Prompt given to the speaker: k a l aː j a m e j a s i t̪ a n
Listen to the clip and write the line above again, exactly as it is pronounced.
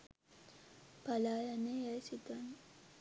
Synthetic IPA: p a l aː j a n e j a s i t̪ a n

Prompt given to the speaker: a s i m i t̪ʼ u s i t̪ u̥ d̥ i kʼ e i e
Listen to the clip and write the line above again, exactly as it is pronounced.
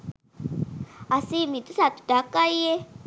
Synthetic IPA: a s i m i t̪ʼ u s a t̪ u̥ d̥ a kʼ a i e

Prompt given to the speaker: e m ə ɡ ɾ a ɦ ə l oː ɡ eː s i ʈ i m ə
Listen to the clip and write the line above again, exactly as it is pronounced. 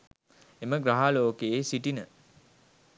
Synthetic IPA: e m ə ɡ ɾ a ɦ a l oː k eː s i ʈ i n ə

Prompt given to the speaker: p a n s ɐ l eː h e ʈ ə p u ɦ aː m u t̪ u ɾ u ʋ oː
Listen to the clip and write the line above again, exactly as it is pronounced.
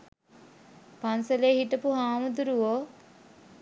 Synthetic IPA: p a n s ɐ l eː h i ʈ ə p u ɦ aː m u d̪ u ɾ u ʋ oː

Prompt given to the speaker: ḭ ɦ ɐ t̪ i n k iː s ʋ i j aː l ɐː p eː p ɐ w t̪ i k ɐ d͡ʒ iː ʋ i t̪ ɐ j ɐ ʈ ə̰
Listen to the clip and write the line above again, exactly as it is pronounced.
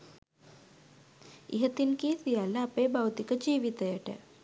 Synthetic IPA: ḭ ɦ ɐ t̪ i n k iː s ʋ i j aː l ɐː p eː b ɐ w t̪ i k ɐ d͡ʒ iː ʋ i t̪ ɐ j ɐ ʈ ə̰

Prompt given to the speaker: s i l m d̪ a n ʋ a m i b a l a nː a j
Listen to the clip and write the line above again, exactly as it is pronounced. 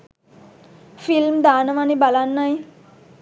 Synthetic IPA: f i l m d̪ a n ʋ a n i b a l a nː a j

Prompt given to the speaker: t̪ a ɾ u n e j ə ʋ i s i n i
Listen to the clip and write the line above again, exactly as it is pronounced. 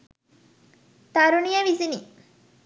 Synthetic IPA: t̪ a ɾ u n i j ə ʋ i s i n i

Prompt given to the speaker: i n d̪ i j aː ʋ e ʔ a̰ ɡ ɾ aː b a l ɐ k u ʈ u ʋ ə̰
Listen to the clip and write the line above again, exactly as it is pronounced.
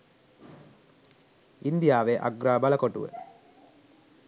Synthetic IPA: i n d̪ i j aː ʋ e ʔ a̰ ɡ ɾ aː b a l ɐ k o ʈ u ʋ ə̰

